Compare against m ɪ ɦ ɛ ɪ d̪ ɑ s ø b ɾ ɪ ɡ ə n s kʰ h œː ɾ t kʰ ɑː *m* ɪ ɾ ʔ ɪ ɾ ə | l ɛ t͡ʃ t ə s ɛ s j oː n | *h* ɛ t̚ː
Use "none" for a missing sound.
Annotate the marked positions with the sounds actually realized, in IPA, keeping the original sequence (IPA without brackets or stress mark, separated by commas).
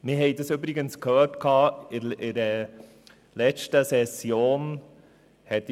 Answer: none, h